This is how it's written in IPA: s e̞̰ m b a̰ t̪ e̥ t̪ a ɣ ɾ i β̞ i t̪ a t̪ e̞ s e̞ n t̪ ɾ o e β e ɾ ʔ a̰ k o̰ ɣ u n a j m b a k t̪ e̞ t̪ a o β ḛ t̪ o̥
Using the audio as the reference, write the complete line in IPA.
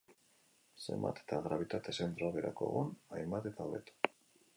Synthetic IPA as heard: s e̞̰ m b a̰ t̪ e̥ t̪ a ɣ ɾ a β̞ i t̪ a t̪ e̞ s e̞ n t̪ ɾ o a β e ɾ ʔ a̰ k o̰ ɣ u n a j m b a t̪ e̞ t̪ a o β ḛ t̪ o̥

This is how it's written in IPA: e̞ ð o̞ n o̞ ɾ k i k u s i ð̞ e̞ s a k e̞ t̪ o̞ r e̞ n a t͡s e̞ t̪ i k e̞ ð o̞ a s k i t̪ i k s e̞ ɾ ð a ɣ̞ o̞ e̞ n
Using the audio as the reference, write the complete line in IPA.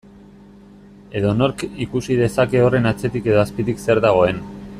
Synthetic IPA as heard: e̞ ð o̞ n o̞ ɾ k i k u s i ð̞ e̞ s a k e̞ o̞ r e̞ n a t͡s e̞ t̪ i k e̞ ð o̞ a s p i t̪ i k s e̞ ɾ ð a ɣ̞ o̞ e̞ n

